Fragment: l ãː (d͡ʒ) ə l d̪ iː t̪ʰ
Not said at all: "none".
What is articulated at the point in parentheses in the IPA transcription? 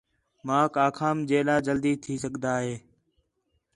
d͡ʒ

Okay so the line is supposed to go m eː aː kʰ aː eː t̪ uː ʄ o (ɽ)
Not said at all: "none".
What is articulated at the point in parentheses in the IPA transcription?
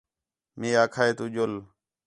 l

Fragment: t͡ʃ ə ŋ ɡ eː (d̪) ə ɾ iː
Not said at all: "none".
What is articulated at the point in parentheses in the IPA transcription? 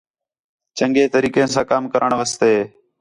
t̪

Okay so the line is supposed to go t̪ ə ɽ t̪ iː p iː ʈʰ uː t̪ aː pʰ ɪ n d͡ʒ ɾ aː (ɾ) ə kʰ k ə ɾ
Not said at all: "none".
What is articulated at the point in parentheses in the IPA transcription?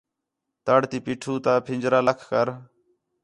l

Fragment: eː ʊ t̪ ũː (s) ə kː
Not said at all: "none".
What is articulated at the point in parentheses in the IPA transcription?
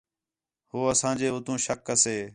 ʃ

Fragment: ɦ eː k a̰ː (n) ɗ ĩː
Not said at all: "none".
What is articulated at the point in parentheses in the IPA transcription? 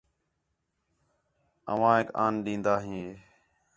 n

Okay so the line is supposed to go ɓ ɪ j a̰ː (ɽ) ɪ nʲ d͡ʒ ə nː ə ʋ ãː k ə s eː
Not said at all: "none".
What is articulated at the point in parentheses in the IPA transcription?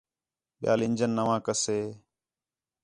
l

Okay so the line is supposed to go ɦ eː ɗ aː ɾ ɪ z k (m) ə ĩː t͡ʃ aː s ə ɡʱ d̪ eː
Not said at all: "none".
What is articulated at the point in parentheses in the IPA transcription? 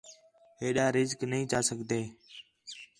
n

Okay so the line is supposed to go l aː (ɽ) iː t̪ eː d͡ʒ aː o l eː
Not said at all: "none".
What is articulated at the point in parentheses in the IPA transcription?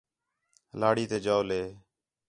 ɽ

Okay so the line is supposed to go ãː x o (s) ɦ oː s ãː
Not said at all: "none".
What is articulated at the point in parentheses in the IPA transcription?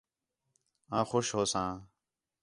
ʃ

